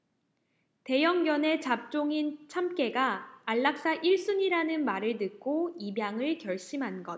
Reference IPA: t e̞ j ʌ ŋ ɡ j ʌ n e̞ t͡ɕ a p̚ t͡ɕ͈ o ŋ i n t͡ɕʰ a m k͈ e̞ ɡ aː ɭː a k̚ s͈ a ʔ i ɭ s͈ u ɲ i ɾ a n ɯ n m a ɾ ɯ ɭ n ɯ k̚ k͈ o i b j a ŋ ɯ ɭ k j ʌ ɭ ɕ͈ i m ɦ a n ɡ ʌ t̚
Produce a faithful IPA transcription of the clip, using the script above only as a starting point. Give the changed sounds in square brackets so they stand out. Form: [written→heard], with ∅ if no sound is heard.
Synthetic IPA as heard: t e̞ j ʌ ŋ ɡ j ʌ n e̞ t͡ɕ a p̚ t͡ɕ͈ o ŋ i n t͡ɕʰ a m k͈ e̞ ɡ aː ɭː a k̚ s͈ a ʔ i ɭ s͈ u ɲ i ɾ a n ɯ n m a ɾ ɯ ɭ n ɯ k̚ k͈ o i b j a ŋ ɯ ɭ k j ʌ ɭ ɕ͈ i m ɦ a n ɡ ʌ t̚